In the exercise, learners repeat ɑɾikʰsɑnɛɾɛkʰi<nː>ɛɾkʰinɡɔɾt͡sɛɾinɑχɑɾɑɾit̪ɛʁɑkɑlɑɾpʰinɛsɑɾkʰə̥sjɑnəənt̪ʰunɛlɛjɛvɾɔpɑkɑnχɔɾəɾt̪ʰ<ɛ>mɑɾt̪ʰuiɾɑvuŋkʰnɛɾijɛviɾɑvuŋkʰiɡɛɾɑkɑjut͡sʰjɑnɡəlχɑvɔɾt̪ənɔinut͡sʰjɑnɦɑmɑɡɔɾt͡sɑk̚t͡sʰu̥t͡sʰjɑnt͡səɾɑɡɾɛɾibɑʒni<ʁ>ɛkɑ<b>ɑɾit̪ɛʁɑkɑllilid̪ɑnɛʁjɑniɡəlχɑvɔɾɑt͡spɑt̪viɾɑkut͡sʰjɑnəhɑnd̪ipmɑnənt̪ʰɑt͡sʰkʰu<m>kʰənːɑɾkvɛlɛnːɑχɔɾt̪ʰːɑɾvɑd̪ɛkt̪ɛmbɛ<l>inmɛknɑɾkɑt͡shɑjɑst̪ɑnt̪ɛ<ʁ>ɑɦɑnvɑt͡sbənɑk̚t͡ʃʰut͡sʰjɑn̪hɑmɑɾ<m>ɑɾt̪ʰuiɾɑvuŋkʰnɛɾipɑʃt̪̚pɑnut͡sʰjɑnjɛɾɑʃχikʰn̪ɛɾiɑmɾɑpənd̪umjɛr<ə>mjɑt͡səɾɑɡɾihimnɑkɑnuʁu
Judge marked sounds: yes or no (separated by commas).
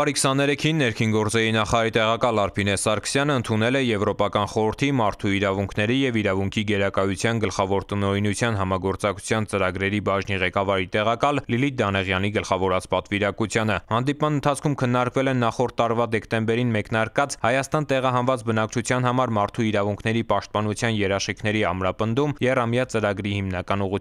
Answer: yes, no, yes, no, yes, no, yes, yes, no